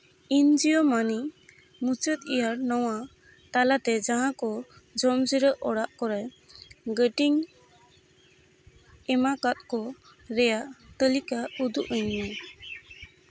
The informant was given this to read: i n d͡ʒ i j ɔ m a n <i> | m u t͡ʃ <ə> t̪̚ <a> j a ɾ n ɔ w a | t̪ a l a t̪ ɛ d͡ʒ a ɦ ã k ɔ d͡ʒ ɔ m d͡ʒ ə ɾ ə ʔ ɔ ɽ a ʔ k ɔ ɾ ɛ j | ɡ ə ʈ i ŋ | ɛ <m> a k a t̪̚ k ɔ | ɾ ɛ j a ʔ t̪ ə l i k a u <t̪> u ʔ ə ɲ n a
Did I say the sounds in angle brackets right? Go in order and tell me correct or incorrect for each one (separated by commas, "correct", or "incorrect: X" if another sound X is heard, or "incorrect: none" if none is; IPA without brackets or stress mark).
correct, correct, incorrect: i, correct, incorrect: d̪